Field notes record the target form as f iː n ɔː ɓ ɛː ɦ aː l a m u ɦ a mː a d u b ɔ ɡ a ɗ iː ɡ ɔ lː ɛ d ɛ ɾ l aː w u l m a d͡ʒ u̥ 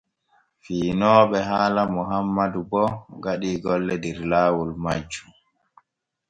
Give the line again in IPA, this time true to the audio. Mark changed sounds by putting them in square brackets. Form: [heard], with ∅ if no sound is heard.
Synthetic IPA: f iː n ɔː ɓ [ɛ] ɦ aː l a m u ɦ a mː a d u b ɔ ɡ a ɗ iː ɡ ɔ lː ɛ d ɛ ɾ l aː w u l m a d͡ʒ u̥